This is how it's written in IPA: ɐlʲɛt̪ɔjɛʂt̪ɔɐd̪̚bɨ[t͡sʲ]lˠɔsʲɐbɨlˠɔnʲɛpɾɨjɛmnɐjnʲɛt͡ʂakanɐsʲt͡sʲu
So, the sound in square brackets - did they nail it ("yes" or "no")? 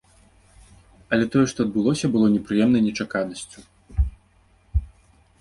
no